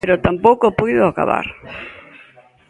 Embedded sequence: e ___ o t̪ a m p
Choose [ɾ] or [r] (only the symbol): ɾ